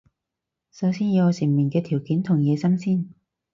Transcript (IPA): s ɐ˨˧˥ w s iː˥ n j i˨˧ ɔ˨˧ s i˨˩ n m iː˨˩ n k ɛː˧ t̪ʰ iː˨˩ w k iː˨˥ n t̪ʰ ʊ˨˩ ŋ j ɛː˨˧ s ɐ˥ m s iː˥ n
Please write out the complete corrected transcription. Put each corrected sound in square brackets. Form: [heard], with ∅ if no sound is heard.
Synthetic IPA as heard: s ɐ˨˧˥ w s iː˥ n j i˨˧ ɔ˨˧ s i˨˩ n m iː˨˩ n k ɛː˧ t̪ʰ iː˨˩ w k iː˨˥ n t̪ʰ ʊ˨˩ ŋ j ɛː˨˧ s ɐ˥ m s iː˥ n